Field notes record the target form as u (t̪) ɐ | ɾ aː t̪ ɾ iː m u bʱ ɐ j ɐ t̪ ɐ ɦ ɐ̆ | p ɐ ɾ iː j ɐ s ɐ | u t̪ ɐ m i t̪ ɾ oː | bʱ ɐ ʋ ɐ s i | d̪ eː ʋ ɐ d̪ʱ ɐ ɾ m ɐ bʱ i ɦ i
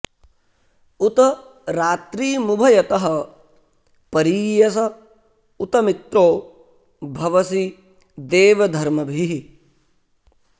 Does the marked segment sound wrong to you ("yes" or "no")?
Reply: no